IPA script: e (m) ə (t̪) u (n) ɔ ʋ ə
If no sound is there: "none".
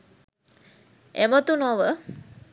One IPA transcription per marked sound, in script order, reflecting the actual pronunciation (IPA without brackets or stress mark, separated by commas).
m, t̪, n